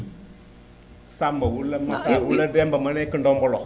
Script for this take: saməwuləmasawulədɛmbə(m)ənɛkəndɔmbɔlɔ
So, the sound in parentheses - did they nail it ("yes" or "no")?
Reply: yes